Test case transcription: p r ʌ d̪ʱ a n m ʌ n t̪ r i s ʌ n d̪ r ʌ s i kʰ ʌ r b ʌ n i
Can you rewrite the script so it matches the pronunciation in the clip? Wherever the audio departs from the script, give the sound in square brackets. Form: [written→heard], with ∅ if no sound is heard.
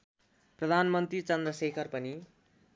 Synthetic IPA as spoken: p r ʌ d̪ʱ a n m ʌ n t̪ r i [s→t͡s] ʌ n d̪ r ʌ s [i→e] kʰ ʌ r [b→p] ʌ n i